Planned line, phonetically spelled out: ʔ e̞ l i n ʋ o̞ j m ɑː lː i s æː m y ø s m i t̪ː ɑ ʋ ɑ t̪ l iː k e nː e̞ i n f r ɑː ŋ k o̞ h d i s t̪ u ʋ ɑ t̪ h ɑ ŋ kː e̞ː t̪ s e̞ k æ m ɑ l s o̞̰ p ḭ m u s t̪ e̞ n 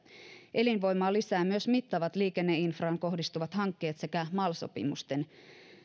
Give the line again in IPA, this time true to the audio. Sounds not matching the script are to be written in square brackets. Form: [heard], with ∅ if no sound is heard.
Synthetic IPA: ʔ e̞ l i n ʋ o̞ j m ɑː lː i s æː m y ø s m i t̪ː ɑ ʋ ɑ t̪ l iː k e nː e̞ i n f r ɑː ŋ k o̞ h d i s t̪ u ʋ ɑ t̪ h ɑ ŋ kː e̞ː t̪ s e̞ k æ m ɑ l s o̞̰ p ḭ m u s t̪ e̞ n